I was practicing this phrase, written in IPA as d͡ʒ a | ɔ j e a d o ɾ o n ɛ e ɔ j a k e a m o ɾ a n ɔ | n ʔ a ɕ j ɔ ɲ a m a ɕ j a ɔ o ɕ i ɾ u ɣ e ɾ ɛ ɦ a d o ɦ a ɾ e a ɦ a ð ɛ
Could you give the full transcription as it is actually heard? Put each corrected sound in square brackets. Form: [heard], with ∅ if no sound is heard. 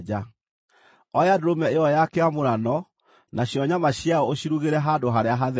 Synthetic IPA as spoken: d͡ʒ a | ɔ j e a d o ɾ o [m] ɛ e ɔ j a k e a m o ɾ a n ɔ | n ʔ a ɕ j ɔ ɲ a m a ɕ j a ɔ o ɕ i ɾ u ɣ e ɾ ɛ ɦ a d o ɦ a ɾ e a ɦ a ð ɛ